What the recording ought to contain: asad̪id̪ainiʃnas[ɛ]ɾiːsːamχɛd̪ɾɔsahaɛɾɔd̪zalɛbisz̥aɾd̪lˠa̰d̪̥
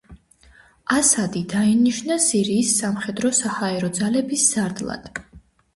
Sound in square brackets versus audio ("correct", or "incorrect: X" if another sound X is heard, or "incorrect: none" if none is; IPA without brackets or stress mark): incorrect: i